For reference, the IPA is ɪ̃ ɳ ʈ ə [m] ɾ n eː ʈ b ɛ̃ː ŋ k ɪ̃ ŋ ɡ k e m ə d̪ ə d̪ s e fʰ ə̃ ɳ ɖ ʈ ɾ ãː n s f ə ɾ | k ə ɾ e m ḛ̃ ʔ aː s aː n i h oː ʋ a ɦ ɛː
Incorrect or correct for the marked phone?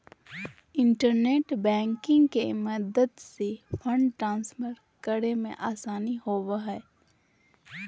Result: incorrect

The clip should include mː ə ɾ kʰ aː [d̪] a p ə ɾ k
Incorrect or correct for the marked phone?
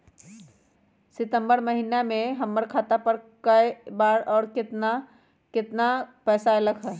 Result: incorrect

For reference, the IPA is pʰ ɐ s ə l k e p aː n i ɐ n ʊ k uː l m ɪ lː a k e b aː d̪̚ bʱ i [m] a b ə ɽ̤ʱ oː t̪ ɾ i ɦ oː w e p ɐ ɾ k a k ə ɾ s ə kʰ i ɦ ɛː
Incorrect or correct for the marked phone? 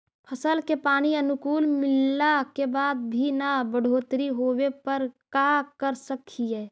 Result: incorrect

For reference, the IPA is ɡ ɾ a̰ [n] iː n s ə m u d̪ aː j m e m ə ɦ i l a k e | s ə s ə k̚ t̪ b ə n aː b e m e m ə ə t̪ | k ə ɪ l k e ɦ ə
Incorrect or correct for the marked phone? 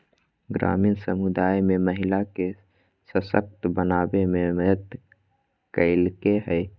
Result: incorrect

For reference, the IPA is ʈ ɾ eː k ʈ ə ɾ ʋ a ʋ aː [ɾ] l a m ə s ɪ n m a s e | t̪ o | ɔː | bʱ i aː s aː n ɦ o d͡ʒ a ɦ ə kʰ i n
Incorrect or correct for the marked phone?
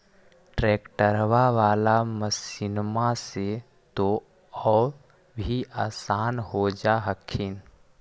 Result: incorrect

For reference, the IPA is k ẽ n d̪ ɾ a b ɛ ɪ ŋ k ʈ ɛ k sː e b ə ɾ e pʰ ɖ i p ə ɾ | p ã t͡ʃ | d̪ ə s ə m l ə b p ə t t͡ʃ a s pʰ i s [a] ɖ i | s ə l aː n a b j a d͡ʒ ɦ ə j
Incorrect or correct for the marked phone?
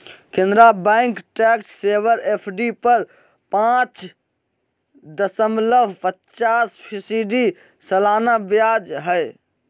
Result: incorrect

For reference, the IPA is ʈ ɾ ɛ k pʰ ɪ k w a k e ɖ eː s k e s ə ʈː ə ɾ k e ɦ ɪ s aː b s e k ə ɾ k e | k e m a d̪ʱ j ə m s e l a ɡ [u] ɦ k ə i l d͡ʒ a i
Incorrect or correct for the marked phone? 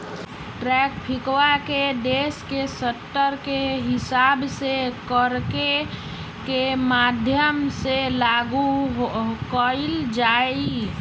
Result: correct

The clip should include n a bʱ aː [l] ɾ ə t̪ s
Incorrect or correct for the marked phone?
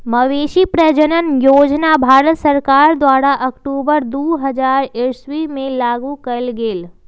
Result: incorrect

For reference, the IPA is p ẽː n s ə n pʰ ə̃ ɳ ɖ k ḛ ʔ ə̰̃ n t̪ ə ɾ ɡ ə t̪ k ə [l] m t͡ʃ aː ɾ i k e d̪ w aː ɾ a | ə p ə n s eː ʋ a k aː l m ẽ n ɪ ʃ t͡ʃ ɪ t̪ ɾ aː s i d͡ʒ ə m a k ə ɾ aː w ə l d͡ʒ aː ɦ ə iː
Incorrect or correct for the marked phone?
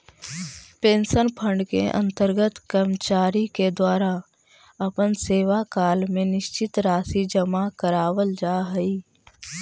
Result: incorrect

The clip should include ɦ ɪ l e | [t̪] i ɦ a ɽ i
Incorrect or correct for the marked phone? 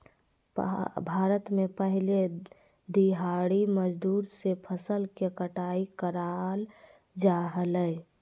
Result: incorrect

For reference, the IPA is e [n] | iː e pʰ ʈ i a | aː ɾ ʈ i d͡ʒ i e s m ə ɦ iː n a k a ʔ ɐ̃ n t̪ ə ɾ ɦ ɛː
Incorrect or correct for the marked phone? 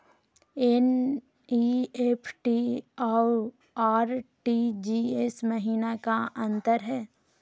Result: correct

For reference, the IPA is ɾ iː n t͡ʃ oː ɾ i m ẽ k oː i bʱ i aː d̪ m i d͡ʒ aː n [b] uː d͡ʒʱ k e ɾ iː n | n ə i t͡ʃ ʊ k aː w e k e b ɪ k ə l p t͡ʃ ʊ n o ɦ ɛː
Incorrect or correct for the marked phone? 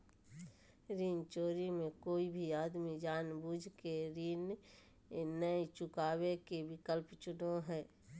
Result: correct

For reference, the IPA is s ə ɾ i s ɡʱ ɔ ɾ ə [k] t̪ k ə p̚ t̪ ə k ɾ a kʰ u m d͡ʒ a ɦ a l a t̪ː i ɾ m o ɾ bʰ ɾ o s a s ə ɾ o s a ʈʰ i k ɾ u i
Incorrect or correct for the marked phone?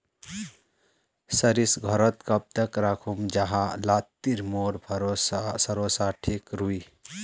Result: incorrect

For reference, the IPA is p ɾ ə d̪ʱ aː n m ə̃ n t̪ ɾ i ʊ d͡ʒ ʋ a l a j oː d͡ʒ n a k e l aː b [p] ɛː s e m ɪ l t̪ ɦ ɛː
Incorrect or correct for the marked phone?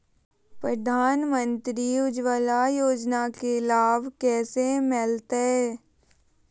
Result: incorrect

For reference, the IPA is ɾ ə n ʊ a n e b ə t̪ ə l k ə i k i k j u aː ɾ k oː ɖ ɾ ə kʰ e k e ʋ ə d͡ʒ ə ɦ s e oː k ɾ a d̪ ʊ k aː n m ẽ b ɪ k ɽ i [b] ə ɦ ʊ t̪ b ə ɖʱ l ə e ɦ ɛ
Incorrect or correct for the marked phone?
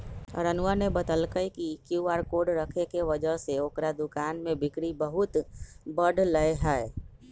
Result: correct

